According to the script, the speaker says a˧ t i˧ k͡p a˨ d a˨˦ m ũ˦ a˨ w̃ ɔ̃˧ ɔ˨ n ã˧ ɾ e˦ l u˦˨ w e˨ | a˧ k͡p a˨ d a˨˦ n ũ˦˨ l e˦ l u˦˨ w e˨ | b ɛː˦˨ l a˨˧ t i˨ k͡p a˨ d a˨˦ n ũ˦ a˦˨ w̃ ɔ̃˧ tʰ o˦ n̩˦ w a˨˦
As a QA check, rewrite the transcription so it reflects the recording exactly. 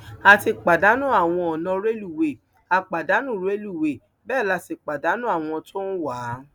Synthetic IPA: a˧ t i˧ k͡p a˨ d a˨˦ n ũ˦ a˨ w̃ ɔ̃˧ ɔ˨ n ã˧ ɾ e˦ l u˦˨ w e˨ | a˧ k͡p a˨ d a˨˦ n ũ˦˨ ɾ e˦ l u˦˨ w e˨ | b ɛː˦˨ l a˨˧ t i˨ k͡p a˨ d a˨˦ n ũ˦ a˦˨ w̃ ɔ̃˧ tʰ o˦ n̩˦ w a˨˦

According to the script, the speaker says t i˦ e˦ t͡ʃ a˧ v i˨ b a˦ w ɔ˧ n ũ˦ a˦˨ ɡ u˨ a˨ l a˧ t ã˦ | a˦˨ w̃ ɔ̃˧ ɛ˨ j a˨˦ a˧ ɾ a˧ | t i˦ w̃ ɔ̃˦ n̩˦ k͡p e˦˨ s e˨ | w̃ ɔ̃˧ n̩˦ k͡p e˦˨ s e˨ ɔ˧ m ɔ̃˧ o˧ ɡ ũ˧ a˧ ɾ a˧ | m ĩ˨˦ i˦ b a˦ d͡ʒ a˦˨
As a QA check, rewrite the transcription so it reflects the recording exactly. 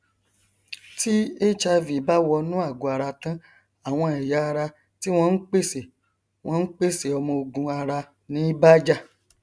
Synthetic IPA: t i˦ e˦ t͡ʃ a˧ v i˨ b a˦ w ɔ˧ n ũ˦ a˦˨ ɡ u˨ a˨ ɾ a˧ t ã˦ | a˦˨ w̃ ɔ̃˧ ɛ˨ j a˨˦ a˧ ɾ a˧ | t i˦ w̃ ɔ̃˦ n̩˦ k͡p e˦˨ s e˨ | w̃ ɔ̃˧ n̩˦ k͡p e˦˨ s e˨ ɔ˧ m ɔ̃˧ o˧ ɡ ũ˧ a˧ ɾ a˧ | n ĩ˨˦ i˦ b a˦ d͡ʒ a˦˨

